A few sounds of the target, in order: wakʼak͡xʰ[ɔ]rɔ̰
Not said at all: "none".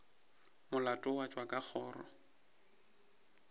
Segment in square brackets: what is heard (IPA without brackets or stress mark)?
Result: ɔː